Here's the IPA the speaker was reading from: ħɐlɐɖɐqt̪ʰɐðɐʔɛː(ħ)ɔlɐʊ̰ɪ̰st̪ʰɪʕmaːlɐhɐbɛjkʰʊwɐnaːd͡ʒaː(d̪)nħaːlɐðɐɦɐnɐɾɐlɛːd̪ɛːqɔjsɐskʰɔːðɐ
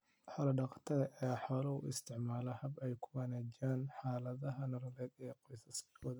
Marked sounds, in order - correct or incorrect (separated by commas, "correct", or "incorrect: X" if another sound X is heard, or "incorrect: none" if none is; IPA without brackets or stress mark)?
correct, incorrect: none